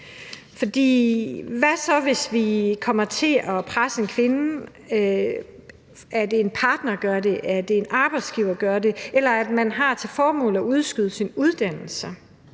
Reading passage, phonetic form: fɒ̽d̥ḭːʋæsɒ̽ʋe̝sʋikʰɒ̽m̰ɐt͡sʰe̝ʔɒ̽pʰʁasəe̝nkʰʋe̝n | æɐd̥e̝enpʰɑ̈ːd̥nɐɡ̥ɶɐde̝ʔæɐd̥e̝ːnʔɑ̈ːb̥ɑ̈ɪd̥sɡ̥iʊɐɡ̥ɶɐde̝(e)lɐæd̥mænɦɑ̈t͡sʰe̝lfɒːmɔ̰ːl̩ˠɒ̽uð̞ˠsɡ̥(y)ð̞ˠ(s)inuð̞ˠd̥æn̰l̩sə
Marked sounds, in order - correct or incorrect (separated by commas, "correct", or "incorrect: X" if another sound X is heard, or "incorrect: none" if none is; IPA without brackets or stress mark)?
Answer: correct, correct, correct